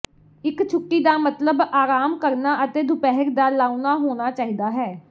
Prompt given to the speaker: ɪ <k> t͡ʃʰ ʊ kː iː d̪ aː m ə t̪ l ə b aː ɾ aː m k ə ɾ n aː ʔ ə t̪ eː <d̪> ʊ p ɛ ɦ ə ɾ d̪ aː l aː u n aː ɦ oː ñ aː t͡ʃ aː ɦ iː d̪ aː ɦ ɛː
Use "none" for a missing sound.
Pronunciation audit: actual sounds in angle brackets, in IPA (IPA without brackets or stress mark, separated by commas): k, d̪